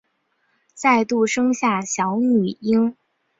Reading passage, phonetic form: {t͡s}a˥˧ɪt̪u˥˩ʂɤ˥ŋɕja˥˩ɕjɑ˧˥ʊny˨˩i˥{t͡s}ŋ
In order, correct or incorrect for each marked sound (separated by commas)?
correct, incorrect